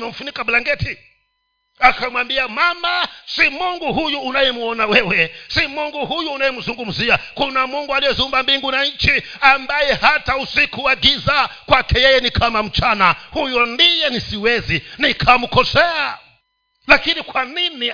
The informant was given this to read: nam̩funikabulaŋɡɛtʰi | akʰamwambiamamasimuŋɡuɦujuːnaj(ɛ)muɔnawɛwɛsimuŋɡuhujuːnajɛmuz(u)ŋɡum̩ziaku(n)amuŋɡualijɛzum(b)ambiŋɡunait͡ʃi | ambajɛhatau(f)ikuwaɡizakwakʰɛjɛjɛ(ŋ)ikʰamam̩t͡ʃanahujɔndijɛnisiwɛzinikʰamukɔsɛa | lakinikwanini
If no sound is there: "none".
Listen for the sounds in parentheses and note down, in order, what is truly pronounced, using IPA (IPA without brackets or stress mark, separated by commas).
ɛ, u, n, b, s, n